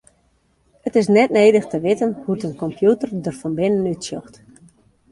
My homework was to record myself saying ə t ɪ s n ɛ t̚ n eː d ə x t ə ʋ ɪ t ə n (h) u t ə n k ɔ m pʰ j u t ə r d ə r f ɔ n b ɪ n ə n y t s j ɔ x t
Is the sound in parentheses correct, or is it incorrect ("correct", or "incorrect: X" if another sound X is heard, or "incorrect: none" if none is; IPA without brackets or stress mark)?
correct